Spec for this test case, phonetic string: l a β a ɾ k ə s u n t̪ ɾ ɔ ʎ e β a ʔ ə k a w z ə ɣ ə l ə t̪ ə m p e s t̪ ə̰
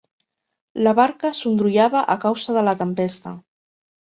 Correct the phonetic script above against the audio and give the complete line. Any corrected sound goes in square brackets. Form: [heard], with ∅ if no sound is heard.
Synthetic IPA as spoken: l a β a ɾ k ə s u n [d̪] ɾ [u] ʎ [a] β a ʔ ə k a w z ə [ð] ə l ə t̪ ə m p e s t̪ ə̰